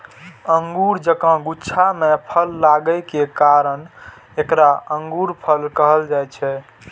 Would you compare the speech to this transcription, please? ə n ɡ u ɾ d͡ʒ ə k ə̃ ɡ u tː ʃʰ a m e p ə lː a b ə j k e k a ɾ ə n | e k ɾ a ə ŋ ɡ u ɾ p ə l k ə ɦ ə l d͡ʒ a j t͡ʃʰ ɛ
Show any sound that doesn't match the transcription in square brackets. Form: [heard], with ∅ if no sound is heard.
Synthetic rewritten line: ə [ŋ] ɡ u ɾ d͡ʒ ə k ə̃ ɡ u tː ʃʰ a m e [pʰ] ə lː a [ɡ] ə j k e k a ɾ ə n | e k ɾ a ə ŋ ɡ u ɾ [pʰ] ə l k ə ɦ ə l d͡ʒ a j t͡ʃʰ ɛ

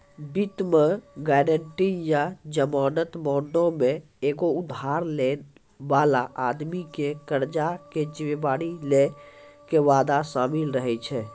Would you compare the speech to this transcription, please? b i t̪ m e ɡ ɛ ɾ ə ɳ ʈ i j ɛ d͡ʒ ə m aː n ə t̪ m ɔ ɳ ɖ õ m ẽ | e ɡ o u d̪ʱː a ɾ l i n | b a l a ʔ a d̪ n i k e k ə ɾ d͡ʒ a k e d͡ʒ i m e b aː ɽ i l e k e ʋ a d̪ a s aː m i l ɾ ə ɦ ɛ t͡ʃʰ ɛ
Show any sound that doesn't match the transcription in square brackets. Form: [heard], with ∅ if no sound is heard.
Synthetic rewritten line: b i t̪ m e ɡ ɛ ɾ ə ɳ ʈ i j [a] d͡ʒ ə m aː n ə t̪ m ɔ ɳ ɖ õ m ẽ | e ɡ o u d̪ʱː a ɾ l [e] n | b a l a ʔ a d̪ [m] i k e k ə ɾ d͡ʒ a k e d͡ʒ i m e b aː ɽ i l e k e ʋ a d̪ a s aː m i l ɾ ə ɦ ɛ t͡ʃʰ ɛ

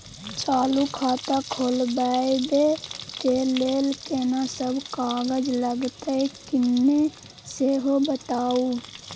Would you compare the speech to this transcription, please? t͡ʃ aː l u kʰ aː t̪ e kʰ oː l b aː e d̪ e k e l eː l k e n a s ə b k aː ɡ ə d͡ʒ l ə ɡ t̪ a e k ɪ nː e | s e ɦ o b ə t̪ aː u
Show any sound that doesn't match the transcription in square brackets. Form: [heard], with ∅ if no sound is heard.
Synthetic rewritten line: t͡ʃ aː l u kʰ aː t̪ [a] kʰ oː l b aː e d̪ e k e l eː l k e n a s ə b k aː ɡ ə d͡ʒ l ə ɡ t̪ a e k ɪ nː e | s e ɦ o b ə t̪ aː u

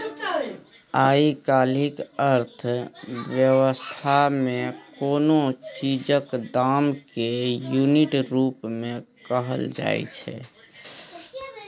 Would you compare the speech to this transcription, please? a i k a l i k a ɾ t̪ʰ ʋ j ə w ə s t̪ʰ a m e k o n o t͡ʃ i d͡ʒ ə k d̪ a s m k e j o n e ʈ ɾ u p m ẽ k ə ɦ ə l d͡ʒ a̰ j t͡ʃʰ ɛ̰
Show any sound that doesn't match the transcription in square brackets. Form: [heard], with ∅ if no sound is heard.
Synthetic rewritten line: a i k a l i k [ə] ɾ t̪ʰ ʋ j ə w ə s t̪ʰ a m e k o n o t͡ʃ i d͡ʒ ə k d̪ a [∅] m k e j [u] n [i] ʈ ɾ u p m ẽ k ə ɦ ə l d͡ʒ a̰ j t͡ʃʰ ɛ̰

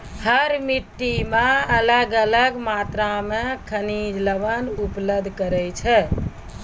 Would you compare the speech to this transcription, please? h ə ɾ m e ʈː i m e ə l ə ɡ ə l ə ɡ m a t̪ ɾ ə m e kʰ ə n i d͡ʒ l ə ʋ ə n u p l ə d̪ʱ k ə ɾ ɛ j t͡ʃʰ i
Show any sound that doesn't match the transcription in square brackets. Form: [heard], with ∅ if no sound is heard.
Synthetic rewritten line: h ə ɾ m [i] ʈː i m e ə l ə ɡ ə l ə ɡ m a t̪ ɾ [a] m e kʰ ə n i d͡ʒ l ə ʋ ə n u p l ə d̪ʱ k ə ɾ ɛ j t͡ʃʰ [ɛ]

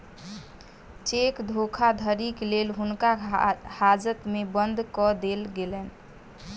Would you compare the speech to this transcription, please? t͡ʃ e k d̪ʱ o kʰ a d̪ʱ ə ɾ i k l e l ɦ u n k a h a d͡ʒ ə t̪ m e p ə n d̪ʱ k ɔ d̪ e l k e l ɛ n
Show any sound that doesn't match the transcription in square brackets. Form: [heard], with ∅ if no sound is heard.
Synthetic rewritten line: t͡ʃ e k d̪ʱ o kʰ a d̪ʱ ə ɾ i k l e l ɦ u n k a h a d͡ʒ ə t̪ m e [b] ə n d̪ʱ k ɔ d̪ e l [ɡ] e l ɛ n

